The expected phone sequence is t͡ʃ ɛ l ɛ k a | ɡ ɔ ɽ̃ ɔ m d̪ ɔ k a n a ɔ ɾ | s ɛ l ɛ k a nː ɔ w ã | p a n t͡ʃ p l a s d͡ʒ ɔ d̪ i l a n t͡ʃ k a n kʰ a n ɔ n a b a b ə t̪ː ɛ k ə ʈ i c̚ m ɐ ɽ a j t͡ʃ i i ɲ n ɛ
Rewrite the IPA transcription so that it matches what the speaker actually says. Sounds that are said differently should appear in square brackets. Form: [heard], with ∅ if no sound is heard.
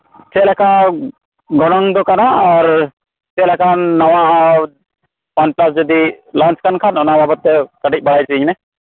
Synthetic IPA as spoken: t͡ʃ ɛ l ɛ k a | ɡ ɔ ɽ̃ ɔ [ŋ] d̪ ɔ k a n a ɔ ɾ | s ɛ l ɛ k a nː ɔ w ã | p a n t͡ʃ p l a s d͡ʒ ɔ d̪ i l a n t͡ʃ k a n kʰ a n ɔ n a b a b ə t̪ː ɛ k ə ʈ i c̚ [b] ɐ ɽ a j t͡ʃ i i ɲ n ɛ